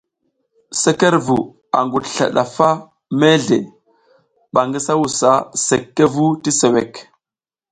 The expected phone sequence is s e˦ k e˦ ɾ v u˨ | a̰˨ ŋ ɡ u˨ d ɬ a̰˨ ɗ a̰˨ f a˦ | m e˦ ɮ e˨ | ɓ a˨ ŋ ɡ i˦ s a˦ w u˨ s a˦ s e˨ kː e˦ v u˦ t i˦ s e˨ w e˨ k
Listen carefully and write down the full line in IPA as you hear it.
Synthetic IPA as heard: s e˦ k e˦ ɾ v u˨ | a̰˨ ŋ ɡ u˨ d ɬ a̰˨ ɗ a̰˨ f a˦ | m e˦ ɮ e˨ | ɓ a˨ ŋ ɡ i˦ s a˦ w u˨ s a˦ s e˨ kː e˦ v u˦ t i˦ s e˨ w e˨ k